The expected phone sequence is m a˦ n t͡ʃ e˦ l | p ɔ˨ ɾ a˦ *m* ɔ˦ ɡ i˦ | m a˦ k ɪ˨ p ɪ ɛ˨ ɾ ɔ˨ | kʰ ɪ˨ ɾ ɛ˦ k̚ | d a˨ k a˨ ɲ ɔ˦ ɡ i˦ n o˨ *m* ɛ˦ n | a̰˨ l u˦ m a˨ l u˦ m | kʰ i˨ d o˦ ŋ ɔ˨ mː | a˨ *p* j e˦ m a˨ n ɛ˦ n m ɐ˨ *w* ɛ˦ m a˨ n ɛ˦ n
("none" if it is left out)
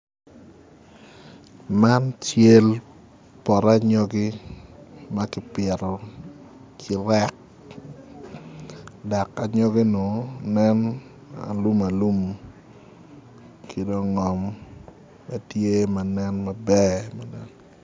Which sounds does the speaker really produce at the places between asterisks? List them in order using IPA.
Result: ɲ, n, t, b

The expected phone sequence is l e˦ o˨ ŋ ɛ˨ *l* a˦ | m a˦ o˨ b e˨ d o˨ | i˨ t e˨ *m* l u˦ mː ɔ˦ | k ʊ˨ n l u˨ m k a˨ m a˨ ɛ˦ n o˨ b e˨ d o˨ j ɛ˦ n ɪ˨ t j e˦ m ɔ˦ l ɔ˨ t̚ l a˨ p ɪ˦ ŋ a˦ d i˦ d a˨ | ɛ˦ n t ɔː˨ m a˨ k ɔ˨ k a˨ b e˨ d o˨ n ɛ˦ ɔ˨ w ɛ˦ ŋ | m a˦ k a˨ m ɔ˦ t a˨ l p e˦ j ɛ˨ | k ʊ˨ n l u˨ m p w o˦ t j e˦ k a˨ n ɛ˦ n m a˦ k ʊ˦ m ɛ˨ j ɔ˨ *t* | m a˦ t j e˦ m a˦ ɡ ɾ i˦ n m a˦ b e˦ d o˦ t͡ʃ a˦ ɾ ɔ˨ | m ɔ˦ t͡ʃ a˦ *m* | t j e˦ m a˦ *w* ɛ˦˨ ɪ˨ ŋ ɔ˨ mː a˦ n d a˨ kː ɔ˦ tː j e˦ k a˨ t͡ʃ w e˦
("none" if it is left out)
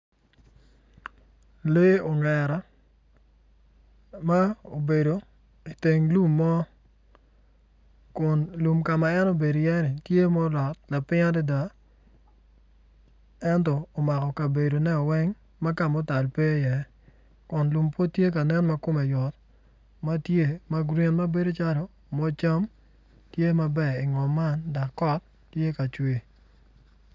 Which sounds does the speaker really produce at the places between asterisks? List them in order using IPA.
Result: ɾ, ŋ, t, m, b

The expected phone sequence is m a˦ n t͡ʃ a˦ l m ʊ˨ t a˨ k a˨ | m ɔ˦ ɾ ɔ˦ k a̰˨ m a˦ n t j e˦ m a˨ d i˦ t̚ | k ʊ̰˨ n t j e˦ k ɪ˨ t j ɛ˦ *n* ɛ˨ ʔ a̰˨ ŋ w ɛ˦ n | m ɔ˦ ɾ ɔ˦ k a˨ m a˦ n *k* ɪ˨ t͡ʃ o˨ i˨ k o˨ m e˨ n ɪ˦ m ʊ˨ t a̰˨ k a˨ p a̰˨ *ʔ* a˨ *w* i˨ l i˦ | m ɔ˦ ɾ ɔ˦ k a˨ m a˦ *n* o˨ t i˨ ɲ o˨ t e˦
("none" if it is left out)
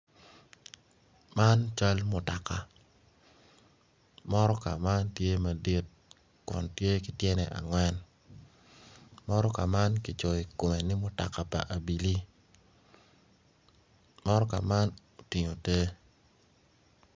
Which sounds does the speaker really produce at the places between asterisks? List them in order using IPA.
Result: n, k, ʔ, b, n

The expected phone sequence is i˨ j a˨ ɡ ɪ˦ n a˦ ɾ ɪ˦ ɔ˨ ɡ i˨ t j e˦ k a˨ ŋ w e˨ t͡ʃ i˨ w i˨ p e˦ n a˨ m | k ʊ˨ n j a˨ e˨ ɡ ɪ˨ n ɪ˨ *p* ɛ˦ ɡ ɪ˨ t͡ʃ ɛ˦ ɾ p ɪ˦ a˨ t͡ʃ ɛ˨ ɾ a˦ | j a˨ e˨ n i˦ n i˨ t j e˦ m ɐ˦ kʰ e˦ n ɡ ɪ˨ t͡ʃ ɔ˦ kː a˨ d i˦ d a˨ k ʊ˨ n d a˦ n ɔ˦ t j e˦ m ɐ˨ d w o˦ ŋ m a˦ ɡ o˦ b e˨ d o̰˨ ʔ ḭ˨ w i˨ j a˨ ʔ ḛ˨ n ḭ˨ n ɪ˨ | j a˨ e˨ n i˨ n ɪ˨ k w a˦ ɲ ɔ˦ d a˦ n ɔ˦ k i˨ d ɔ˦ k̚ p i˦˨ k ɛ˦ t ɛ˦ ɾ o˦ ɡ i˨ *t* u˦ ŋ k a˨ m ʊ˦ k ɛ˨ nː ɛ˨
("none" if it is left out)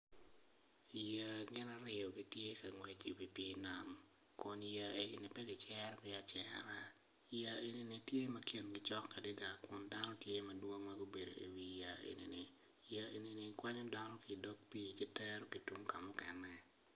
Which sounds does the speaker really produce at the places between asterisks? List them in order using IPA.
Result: p, t

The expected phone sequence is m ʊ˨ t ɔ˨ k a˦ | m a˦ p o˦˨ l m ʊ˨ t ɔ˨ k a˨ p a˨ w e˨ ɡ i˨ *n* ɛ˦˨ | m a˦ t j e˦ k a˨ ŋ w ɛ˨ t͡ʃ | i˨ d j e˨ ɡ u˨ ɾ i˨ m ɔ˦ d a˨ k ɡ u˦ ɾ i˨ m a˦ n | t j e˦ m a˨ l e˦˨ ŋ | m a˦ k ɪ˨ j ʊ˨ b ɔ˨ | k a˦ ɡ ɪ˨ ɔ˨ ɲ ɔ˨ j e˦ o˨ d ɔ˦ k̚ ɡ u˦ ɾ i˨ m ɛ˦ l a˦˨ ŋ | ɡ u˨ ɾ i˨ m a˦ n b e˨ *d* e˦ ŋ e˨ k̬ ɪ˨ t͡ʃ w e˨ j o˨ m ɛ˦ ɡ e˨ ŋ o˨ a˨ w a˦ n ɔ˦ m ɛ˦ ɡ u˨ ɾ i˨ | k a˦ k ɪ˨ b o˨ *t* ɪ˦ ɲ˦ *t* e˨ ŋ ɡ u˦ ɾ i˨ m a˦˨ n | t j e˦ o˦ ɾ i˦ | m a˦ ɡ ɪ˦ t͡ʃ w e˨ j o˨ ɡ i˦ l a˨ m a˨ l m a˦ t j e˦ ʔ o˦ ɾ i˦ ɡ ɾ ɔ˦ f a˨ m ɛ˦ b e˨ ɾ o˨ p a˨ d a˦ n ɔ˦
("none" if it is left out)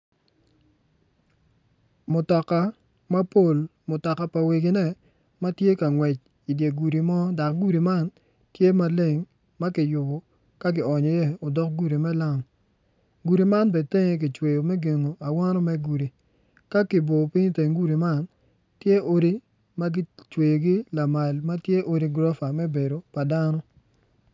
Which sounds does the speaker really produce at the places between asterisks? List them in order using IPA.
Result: n, t, p, t

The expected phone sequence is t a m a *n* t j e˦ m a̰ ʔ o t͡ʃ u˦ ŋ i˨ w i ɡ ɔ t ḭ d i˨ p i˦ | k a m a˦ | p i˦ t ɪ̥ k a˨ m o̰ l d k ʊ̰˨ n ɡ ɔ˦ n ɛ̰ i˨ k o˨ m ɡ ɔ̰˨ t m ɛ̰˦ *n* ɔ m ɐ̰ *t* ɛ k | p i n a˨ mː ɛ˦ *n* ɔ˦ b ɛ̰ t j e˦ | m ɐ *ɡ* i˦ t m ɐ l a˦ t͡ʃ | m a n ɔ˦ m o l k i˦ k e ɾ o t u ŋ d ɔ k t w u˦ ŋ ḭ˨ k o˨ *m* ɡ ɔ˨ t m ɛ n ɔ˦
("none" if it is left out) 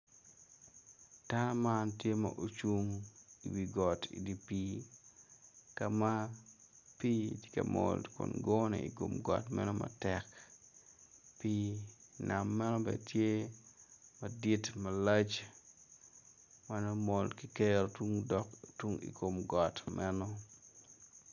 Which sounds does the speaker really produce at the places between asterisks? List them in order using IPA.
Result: n, n, t, n, d, m

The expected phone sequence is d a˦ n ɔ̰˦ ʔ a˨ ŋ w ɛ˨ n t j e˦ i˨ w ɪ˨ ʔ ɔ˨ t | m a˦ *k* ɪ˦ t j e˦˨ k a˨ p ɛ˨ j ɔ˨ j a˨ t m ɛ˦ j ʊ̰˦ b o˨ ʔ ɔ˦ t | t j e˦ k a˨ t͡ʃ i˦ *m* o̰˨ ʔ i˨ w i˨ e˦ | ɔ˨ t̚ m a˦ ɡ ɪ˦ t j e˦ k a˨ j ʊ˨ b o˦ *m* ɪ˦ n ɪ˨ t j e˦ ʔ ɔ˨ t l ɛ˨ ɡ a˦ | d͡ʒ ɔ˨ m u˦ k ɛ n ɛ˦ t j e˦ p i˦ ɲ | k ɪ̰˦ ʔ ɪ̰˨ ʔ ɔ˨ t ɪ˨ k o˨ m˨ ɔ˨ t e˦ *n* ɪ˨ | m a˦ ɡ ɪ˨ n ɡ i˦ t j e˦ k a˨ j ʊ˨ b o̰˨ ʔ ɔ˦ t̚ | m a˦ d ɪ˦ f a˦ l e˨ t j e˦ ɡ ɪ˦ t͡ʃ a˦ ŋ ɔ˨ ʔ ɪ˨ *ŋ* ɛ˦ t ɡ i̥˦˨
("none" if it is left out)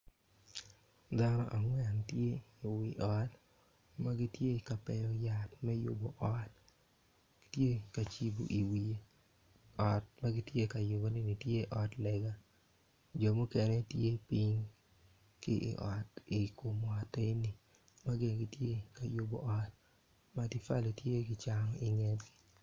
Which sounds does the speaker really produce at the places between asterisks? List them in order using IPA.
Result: ɡ, b, n, n, ŋ

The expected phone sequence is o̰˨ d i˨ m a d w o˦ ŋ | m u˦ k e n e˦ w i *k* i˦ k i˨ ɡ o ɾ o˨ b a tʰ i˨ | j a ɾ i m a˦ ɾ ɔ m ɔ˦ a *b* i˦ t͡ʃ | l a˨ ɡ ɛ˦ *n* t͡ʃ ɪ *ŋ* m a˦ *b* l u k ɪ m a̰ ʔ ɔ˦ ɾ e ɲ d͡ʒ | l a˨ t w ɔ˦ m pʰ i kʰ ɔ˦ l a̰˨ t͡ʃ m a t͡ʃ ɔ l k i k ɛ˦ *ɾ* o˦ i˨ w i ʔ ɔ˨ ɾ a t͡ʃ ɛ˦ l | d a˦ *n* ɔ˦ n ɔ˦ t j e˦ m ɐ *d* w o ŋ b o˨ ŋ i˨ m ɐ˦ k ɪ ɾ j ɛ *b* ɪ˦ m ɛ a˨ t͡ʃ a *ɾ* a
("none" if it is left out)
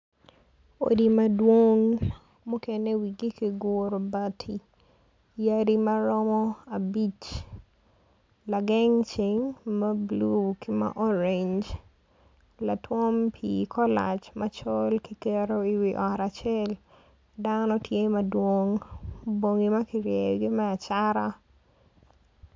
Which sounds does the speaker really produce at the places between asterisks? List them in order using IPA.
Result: ɡ, b, ŋ, ŋ, b, ɾ, n, d, ɡ, ɾ

